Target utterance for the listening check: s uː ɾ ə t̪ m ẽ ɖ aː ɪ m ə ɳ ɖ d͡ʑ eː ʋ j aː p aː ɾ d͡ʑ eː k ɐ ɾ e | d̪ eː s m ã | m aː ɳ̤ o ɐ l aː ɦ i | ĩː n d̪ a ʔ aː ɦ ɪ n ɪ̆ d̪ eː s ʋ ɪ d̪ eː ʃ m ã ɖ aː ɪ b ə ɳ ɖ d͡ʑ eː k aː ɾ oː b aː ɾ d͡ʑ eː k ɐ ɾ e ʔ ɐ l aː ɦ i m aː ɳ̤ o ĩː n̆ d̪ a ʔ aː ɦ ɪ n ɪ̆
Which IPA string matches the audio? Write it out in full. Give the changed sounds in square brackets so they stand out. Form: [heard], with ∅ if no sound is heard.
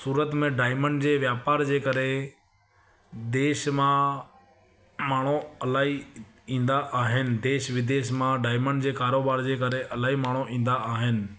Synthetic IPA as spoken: s uː ɾ ə t̪ m ẽ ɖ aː ɪ m ə ɳ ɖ d͡ʑ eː ʋ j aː p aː ɾ d͡ʑ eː k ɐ ɾ e | d̪ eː [ʃ] m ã | m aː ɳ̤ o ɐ l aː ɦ i | ĩː n d̪ a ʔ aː ɦ ɪ n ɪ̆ d̪ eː [ʃ] ʋ ɪ d̪ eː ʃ m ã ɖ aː ɪ [m] ə ɳ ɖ d͡ʑ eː k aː ɾ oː b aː ɾ d͡ʑ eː k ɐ ɾ e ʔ ɐ l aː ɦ i m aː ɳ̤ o ĩː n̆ d̪ a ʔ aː ɦ ɪ n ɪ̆